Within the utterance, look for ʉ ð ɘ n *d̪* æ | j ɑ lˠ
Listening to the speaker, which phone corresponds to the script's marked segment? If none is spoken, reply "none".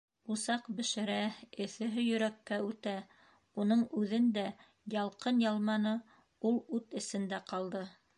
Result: d̪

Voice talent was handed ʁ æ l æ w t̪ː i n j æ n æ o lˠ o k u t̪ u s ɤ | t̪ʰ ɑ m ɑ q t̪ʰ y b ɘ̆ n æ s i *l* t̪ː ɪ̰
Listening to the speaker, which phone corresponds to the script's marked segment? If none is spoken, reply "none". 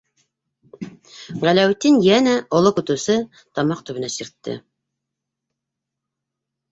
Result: ɾ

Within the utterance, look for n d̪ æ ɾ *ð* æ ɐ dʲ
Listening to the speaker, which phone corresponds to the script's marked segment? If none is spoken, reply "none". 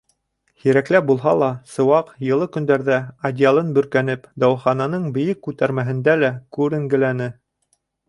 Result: ð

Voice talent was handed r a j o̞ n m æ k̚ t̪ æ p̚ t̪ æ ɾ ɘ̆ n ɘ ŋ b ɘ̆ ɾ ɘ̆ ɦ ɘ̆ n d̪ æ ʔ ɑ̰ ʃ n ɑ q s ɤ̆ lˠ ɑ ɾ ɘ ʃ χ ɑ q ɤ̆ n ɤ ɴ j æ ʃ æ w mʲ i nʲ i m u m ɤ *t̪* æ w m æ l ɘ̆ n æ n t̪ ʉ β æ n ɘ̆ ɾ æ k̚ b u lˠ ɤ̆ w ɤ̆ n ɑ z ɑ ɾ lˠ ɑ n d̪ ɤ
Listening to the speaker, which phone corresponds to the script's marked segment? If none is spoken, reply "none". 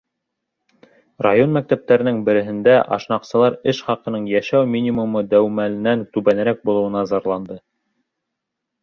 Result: d̪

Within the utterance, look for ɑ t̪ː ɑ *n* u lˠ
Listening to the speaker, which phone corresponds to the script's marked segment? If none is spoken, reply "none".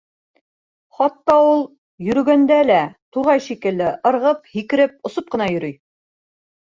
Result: none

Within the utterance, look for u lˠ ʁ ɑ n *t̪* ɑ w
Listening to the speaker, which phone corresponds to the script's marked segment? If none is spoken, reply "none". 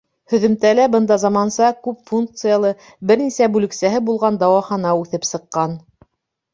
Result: d̪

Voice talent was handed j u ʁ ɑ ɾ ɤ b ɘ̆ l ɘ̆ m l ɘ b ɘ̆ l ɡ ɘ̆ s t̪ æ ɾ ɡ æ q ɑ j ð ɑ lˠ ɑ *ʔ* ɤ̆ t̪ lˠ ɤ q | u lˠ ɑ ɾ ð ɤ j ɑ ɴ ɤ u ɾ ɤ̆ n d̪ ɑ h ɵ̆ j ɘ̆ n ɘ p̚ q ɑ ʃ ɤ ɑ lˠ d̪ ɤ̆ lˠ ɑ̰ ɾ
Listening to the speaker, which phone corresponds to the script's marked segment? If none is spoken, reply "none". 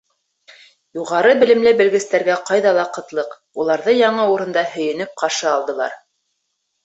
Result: q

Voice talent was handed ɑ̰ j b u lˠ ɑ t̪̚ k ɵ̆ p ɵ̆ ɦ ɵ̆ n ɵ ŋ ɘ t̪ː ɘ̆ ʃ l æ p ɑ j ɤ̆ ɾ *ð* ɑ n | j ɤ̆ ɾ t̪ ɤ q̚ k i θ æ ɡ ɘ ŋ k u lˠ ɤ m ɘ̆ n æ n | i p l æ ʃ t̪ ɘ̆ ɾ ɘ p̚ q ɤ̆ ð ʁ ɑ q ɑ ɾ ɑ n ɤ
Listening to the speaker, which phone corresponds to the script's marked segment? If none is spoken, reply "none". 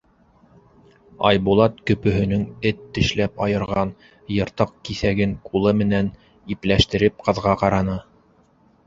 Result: ʁ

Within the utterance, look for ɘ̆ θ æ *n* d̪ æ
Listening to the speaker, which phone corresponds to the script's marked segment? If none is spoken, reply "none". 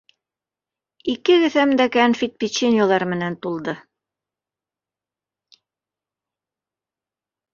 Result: m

